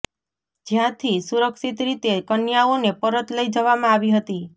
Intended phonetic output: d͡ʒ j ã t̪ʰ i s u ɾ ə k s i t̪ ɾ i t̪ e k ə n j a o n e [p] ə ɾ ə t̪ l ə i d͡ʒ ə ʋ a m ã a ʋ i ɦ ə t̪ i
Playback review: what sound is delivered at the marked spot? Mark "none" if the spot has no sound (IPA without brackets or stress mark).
p